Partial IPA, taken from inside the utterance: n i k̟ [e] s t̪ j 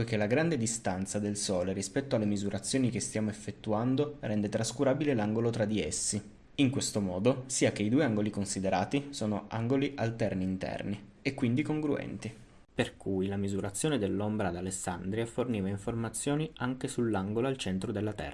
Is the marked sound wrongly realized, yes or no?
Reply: no